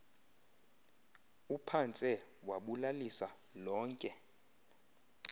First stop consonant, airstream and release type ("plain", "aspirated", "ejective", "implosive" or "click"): aspirated